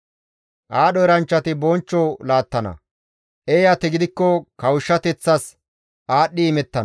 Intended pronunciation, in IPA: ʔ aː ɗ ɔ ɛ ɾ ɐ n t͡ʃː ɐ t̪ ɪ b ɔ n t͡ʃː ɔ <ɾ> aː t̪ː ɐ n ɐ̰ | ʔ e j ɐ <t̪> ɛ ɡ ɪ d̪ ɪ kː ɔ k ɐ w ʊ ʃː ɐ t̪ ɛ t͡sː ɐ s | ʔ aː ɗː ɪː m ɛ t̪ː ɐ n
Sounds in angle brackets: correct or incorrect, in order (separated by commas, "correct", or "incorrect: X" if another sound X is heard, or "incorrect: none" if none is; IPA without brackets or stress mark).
incorrect: l, correct